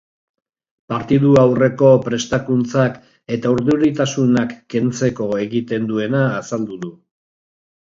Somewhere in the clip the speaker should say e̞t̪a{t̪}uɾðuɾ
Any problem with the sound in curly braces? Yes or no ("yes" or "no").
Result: yes